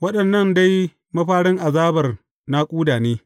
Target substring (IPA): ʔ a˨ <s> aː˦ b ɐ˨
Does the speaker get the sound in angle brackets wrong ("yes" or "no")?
yes